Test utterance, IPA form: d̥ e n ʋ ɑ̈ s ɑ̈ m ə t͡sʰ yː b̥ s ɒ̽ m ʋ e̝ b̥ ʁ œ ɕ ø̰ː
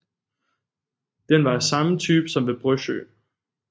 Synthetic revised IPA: d̥ e n ʋ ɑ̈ s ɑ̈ m ə t͡sʰ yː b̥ s ɒ̽ m ʋ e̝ b̥ ʁ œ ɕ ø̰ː